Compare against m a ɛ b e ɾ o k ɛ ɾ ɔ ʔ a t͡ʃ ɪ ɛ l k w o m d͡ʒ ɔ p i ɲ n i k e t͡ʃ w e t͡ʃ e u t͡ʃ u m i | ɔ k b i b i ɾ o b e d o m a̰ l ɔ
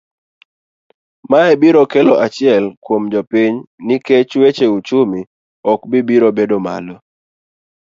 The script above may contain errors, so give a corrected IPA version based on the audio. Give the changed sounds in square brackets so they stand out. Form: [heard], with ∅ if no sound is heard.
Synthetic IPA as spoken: m a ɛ b [i] ɾ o k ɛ [l] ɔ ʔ a t͡ʃ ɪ ɛ l k w o m d͡ʒ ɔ p i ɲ n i k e t͡ʃ w e t͡ʃ e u t͡ʃ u m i | ɔ k b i b i ɾ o b e d o m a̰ l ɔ